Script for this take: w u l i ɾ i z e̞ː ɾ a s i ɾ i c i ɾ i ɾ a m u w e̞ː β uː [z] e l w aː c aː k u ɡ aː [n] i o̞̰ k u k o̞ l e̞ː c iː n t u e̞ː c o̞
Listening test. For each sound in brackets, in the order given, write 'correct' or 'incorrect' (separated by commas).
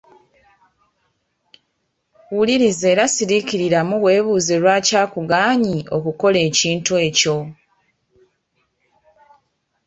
correct, incorrect